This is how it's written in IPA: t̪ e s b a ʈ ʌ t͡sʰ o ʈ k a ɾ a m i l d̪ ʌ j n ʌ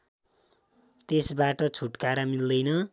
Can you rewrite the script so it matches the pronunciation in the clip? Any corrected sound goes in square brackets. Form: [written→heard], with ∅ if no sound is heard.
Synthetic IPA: t̪ e s b a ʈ ʌ t͡sʰ [o→u] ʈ k a ɾ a m i l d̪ ʌ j n ʌ